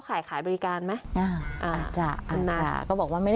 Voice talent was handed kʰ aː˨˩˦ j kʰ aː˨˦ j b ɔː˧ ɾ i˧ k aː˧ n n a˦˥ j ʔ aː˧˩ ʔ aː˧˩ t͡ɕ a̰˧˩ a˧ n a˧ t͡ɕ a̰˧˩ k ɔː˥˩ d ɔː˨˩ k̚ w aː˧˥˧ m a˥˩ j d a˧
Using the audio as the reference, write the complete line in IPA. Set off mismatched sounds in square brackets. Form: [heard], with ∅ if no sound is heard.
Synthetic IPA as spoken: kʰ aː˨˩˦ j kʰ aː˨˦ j b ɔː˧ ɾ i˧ k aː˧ n [m] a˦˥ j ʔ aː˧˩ ʔ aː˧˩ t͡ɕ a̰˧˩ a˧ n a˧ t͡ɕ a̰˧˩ k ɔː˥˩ [b] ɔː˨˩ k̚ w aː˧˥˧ m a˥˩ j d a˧